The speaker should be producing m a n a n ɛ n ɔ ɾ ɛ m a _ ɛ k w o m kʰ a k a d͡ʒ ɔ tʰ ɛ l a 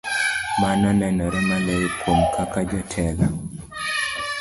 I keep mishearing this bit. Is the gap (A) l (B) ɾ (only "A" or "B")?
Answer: A